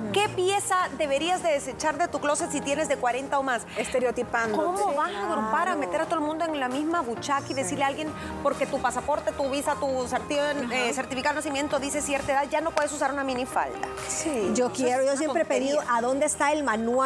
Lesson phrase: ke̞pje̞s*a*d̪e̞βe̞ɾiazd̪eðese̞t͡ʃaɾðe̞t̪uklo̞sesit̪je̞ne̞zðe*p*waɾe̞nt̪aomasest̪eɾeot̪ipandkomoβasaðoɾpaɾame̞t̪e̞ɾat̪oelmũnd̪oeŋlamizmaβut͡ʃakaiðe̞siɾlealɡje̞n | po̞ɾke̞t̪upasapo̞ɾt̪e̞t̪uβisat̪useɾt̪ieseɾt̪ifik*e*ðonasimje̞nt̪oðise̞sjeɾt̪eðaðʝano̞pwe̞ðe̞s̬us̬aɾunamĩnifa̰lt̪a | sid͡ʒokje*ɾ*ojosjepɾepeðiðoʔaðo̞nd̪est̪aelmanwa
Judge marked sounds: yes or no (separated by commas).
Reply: yes, no, no, yes